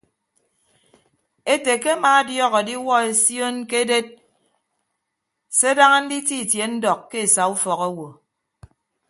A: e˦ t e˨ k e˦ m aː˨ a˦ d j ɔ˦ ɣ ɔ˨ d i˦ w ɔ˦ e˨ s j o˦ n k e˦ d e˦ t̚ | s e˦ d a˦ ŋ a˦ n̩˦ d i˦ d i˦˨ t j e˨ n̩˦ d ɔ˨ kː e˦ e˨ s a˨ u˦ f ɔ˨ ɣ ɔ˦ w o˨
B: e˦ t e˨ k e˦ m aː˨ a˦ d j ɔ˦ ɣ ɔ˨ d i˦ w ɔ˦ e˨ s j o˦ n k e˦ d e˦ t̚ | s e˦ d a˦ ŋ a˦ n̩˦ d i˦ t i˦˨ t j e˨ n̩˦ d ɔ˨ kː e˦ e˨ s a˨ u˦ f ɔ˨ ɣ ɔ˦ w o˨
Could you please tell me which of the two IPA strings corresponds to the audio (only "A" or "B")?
B